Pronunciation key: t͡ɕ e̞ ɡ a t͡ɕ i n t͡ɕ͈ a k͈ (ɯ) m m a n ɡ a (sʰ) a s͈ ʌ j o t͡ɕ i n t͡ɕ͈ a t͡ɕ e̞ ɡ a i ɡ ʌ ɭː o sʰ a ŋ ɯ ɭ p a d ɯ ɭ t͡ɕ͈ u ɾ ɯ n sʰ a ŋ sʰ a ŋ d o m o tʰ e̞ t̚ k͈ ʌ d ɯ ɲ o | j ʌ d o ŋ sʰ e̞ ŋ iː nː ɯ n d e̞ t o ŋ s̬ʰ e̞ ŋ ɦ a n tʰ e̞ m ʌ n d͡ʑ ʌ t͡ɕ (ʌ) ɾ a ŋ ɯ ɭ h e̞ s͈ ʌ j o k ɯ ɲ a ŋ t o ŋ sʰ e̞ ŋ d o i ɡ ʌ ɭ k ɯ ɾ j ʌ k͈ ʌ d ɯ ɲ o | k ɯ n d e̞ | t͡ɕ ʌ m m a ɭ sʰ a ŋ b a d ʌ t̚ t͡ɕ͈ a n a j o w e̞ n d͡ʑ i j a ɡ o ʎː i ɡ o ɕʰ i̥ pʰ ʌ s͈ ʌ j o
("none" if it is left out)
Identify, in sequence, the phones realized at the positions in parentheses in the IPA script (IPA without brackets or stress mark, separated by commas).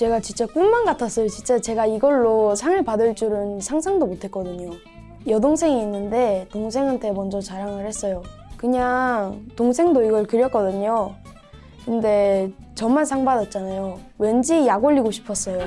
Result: u, tʰ, a